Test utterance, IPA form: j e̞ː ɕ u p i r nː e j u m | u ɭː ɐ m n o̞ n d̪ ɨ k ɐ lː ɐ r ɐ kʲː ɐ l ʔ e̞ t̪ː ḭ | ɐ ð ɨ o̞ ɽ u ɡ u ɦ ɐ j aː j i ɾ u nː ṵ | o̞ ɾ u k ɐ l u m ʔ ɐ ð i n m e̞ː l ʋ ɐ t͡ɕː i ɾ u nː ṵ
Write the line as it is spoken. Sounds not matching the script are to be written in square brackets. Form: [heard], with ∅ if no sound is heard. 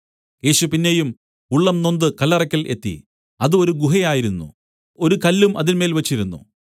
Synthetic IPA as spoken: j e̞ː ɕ u p i [∅] nː e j u m | u ɭː ɐ m n o̞ n d̪ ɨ k ɐ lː ɐ r ɐ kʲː ɐ l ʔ e̞ t̪ː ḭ | ɐ ð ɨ o̞ [ɾ] u ɡ u ɦ ɐ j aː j i ɾ u nː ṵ | o̞ ɾ u k ɐ [lː] u m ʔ ɐ ð i n m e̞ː l ʋ ɐ t͡ɕː i ɾ u nː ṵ